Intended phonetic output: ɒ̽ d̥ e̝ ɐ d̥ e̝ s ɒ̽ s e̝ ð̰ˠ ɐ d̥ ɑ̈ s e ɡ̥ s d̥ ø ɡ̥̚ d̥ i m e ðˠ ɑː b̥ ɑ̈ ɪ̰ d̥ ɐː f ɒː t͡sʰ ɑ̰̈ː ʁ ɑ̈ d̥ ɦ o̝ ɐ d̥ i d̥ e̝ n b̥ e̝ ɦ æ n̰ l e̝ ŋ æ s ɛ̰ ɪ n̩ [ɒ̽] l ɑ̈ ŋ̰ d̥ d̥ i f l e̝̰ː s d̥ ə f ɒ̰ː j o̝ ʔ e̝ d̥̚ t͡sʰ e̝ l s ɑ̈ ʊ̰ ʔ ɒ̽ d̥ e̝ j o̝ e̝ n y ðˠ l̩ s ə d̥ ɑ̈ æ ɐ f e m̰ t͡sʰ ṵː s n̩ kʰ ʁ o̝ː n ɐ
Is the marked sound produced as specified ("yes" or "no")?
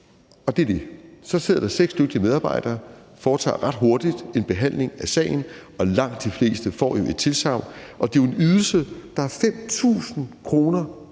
yes